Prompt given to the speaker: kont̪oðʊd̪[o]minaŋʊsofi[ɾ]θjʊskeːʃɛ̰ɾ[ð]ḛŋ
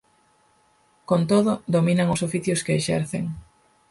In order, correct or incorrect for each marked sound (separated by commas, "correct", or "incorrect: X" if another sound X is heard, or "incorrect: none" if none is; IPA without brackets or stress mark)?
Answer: correct, incorrect: none, incorrect: θ